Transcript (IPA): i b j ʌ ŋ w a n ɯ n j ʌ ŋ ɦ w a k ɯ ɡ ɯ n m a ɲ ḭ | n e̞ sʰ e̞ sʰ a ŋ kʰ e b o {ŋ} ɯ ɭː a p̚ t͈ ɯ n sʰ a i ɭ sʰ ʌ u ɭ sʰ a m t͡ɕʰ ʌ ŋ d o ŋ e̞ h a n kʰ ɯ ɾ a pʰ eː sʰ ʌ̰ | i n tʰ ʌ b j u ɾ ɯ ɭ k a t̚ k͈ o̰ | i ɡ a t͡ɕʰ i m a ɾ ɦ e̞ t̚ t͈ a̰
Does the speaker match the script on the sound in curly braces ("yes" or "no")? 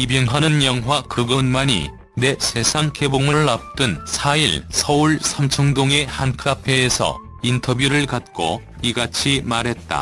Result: yes